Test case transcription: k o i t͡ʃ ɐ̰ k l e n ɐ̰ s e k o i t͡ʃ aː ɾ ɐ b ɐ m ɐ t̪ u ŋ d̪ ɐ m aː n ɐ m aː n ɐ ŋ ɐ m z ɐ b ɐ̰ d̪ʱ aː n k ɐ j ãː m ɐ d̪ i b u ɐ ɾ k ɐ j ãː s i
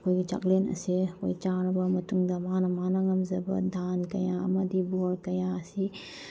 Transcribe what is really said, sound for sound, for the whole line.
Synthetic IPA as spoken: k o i t͡ʃ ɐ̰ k l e n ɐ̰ s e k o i t͡ʃ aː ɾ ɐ b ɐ m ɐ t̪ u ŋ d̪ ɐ m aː n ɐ m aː n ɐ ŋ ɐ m z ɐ b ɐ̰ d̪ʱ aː n k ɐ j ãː m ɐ d̪ i b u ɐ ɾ k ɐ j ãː s i